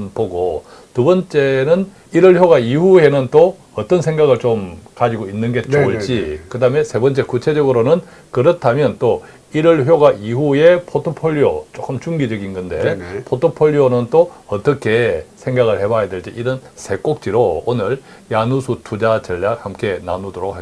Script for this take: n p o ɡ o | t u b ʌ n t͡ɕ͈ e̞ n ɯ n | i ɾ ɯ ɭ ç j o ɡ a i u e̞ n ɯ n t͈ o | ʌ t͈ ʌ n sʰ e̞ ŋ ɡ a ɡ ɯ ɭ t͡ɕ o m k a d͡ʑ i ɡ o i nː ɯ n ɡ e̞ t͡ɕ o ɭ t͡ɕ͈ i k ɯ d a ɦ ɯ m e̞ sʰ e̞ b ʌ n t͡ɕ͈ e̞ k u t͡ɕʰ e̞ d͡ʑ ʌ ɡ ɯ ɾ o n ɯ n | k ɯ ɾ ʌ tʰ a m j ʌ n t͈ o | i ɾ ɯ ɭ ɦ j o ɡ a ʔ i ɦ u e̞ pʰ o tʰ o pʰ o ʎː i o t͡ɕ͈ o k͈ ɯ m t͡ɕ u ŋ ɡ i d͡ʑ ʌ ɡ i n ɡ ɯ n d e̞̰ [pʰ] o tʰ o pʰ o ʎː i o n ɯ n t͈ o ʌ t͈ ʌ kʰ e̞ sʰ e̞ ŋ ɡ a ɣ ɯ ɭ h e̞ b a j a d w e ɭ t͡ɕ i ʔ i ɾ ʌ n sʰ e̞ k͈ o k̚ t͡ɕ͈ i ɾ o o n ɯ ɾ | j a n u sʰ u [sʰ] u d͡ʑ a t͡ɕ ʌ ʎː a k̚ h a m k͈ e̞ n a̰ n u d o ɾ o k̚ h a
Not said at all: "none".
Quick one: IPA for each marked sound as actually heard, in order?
pʰ, tʰ

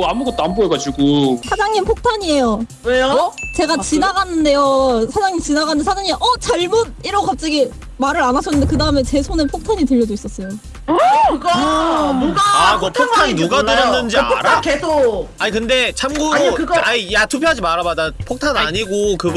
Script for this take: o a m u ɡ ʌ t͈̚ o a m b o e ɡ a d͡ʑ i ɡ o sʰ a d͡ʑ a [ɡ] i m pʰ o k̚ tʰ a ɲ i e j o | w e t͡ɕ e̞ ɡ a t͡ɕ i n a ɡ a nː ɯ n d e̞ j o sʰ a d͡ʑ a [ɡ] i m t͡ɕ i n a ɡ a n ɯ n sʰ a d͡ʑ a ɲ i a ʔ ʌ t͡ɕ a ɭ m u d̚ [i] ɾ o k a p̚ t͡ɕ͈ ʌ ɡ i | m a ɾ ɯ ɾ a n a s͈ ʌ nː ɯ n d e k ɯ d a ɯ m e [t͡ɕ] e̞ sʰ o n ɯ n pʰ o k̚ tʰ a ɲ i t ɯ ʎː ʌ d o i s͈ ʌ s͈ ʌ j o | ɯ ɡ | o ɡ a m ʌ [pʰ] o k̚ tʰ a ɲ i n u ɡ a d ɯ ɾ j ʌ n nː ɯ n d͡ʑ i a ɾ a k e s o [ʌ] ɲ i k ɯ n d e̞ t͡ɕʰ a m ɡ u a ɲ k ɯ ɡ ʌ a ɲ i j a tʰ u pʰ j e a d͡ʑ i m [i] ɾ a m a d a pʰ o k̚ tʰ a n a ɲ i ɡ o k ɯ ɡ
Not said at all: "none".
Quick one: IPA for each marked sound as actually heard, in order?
ŋ, ŋ, i, t͡ɕ, pʰ, a, a

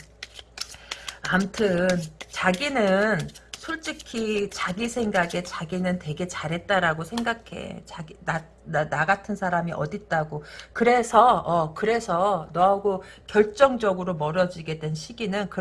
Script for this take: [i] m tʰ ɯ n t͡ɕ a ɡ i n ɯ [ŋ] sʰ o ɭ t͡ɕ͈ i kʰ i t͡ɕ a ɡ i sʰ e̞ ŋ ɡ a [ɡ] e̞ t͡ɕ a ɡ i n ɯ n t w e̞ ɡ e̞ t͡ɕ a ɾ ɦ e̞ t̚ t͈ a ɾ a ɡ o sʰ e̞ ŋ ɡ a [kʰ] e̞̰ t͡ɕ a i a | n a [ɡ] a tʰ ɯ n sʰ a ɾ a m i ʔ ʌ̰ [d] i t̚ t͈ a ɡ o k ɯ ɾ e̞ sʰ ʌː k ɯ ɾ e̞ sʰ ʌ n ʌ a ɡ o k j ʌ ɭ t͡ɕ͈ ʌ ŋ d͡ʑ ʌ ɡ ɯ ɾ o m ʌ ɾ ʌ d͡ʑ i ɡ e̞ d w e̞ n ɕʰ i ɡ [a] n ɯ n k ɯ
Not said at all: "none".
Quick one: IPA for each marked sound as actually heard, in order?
a, n, ɡ, kʰ, ɡ, d, i

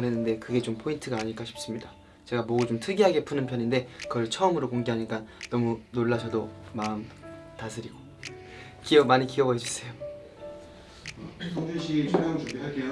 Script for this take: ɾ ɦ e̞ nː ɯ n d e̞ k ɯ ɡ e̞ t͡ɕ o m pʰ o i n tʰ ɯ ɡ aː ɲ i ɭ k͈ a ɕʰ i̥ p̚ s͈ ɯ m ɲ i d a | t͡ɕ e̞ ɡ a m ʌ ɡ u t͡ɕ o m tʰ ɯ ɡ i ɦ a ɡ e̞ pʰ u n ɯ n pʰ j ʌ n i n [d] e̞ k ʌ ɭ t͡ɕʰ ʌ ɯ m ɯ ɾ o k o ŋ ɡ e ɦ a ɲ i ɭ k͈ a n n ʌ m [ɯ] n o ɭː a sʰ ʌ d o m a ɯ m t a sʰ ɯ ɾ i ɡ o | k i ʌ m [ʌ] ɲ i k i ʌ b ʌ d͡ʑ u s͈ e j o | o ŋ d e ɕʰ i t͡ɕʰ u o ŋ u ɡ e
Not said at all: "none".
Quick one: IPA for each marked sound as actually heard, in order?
d, u, a

